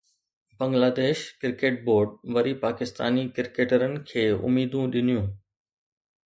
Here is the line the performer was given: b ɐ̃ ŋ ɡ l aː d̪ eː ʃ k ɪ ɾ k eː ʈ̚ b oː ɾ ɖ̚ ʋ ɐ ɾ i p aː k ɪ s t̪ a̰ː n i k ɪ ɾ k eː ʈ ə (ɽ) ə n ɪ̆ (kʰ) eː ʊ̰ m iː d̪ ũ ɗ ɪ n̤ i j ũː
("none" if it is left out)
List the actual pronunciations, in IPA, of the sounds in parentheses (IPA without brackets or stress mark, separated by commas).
ɾ, kʰ